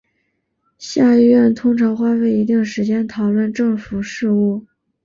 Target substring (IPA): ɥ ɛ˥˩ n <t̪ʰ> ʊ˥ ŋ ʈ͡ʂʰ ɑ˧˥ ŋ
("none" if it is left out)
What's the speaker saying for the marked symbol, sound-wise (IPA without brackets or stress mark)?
t̪ʰ